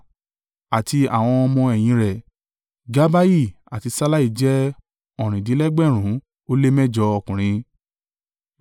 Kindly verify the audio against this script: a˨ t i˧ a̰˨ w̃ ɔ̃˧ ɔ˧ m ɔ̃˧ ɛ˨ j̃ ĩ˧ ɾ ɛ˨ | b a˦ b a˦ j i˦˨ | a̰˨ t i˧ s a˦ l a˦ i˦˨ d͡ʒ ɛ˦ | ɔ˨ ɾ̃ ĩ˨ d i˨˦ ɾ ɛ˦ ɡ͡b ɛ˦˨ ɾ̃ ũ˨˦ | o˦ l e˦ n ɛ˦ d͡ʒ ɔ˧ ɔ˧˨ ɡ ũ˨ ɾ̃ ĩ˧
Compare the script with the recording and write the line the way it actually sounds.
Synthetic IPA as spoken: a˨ t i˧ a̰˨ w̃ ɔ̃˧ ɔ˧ m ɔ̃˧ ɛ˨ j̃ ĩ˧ ɾ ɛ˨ | ɡ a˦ b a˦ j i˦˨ | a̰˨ t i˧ s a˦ l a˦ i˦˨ d͡ʒ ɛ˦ | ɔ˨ ɾ̃ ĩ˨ d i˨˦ l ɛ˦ ɡ͡b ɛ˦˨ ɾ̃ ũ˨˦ | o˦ l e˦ m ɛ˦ d͡ʒ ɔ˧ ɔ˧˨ k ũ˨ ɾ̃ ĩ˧